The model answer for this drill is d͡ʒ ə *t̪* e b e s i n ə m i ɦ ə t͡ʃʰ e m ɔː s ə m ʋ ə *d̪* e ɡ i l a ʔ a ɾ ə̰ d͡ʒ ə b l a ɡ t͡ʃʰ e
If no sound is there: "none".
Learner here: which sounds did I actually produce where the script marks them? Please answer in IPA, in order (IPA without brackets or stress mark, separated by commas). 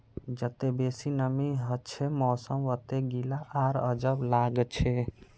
t̪, t̪